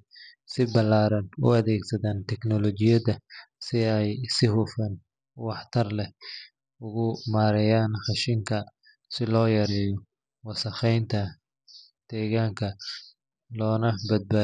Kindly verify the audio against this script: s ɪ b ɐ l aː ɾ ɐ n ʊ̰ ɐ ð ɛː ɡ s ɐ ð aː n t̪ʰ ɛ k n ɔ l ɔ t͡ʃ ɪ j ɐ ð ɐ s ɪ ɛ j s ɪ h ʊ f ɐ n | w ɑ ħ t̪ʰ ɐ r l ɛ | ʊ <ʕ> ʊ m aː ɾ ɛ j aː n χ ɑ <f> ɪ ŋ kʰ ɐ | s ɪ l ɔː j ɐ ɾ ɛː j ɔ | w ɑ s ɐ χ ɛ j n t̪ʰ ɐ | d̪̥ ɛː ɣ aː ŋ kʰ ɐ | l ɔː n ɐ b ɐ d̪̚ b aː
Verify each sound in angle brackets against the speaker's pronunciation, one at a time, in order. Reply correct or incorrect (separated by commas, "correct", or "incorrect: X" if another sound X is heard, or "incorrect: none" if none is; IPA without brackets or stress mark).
incorrect: ɣ, incorrect: ʃ